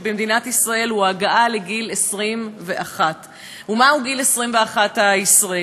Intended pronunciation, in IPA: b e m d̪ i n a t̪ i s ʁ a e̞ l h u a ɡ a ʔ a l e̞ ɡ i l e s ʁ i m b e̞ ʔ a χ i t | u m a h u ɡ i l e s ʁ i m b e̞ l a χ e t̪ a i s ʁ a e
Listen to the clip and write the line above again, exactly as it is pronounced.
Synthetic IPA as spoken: b e m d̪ i n a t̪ i s ʁ a e̞ l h u a ɡ a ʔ a l e̞ ɡ i l e s ʁ i m v e̞ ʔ a χ a t | u m a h u ɡ i l e s ʁ i m v e̞ a χ a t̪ a i s ʁ a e